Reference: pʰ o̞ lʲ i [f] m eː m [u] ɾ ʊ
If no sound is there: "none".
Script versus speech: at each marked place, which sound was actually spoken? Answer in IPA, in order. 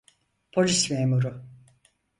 s, u

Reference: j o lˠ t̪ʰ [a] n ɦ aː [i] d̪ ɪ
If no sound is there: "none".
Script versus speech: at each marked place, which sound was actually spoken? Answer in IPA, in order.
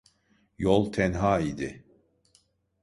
ɛ, i

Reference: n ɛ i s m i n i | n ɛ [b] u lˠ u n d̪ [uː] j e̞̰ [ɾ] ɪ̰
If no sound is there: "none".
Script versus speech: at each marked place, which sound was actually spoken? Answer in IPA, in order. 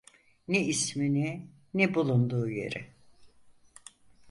b, uː, ɾ

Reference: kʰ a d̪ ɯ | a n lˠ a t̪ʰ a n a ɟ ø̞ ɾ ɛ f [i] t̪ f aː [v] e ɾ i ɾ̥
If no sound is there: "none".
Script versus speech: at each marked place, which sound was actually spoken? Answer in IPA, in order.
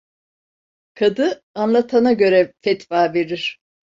ɛ, v

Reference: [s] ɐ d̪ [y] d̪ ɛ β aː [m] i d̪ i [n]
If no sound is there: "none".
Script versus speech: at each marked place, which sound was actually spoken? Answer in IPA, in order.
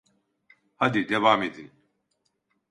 h, i, m, n

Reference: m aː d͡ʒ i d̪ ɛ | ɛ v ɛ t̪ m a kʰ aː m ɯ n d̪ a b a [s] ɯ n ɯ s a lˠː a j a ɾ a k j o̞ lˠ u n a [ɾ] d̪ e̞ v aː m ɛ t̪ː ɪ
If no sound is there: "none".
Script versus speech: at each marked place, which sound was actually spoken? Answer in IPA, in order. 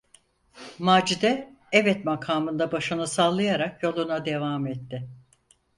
ʃ, none

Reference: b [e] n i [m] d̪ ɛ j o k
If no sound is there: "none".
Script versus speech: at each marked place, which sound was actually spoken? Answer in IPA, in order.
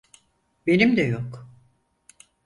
e, m

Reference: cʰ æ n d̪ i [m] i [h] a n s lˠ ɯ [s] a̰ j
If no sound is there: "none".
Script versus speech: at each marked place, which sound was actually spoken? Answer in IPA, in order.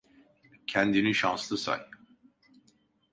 n, ʃ, s

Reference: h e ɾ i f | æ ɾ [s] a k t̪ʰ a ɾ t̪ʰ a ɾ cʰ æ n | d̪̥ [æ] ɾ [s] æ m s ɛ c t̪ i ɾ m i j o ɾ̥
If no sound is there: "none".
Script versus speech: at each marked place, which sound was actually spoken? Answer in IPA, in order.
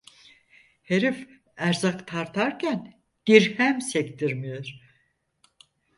z, i, h

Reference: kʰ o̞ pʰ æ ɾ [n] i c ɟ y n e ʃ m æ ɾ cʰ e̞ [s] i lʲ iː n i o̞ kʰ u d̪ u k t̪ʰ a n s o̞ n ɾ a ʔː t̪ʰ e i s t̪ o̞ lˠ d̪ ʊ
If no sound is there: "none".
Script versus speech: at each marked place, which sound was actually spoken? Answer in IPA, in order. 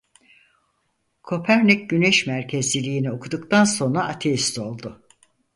n, z

